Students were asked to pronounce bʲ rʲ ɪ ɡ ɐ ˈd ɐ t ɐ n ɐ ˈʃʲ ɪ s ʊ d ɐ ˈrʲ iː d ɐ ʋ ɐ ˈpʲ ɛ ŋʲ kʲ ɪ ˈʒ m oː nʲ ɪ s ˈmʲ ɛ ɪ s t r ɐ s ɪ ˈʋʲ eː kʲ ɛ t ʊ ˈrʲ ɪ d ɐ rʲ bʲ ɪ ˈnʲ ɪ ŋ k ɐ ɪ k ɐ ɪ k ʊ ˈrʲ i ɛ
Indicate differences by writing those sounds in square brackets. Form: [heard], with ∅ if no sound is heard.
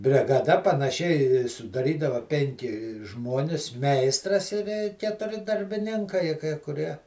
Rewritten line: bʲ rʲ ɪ ɡ ɐ ˈd ɐ [p] ɐ n ɐ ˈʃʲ ɪ s ʊ d ɐ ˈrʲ iː d ɐ ʋ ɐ ˈpʲ ɛ ŋʲ kʲ ɪ ˈʒ m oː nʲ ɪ s ˈmʲ ɛ ɪ s t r ɐ s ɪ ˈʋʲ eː kʲ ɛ t ʊ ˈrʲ ɪ d ɐ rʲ bʲ ɪ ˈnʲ ɪ ŋ k ɐ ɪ k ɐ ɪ k ʊ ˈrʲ i ɛ